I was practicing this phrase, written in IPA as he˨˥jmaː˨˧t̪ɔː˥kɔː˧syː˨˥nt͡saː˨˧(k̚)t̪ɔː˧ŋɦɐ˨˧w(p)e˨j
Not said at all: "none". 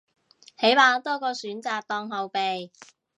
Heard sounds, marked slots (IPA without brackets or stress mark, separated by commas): k̚, p